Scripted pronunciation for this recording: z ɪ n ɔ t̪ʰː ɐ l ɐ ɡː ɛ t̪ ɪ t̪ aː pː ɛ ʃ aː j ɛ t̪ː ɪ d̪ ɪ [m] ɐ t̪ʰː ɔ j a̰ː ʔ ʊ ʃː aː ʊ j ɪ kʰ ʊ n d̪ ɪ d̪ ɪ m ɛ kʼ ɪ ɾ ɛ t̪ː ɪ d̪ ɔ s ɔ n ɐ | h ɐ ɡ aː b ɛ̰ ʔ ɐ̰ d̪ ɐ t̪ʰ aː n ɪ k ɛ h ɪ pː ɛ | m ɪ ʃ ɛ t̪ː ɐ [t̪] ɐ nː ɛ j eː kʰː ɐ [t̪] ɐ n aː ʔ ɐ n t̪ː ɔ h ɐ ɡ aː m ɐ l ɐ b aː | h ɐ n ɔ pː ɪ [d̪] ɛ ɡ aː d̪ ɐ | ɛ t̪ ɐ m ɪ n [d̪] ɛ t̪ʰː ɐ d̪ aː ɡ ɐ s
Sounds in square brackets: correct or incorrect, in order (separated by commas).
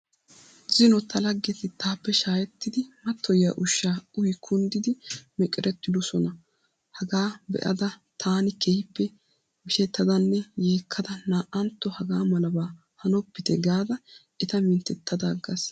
correct, incorrect, incorrect, incorrect, incorrect